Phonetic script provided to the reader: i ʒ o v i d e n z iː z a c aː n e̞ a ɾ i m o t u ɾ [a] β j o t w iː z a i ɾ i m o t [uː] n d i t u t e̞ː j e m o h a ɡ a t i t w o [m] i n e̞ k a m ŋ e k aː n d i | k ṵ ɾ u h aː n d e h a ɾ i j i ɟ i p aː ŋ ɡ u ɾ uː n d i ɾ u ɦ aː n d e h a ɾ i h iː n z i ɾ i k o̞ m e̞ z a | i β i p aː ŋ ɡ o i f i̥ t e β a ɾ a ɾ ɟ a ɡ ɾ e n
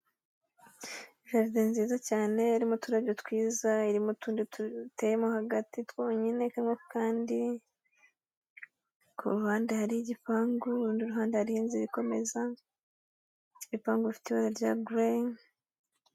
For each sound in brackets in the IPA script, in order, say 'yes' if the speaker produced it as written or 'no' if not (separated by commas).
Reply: yes, yes, no